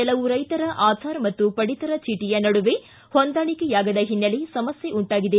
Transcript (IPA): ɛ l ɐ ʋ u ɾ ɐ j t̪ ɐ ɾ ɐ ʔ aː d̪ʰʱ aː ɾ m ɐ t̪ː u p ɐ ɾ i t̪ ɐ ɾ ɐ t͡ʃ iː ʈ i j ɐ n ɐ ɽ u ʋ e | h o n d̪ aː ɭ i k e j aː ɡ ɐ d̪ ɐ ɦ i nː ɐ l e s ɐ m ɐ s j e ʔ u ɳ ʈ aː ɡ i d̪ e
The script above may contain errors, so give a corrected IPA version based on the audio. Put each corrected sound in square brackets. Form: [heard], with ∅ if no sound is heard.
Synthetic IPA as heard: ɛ l ɐ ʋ u ɾ ɐ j t̪ ɐ ɾ ɐ ʔ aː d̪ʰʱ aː ɾ m ɐ t̪ː u p ɐ [ɽ] i t̪ ɐ ɾ ɐ t͡ʃ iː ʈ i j ɐ n ɐ ɽ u ʋ e | h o n d̪ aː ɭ i k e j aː ɡ ɐ d̪ ɐ ɦ i nː ɐ l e s ɐ m ɐ s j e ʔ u ɳ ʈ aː ɡ i d̪ e